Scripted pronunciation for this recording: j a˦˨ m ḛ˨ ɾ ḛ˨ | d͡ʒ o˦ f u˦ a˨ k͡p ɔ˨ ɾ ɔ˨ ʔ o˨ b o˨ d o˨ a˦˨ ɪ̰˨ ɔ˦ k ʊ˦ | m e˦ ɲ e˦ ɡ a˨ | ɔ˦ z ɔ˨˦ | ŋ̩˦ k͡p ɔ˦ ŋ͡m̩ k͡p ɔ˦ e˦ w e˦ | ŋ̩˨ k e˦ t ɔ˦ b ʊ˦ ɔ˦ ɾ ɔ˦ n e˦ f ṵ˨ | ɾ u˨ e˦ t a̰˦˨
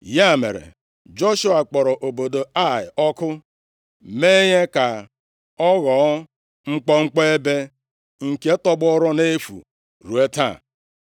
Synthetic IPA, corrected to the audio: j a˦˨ m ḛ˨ ɾ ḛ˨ | d͡ʒ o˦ ʃ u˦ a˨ k͡p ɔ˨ ɾ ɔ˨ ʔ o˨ b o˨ d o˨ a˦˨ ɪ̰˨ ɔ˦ k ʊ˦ | m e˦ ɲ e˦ k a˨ | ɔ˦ ɣ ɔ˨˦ | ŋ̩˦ k͡p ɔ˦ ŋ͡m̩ k͡p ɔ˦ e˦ b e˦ | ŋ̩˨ k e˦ t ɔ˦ b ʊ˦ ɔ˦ ɾ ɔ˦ n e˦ f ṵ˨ | ɾ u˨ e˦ t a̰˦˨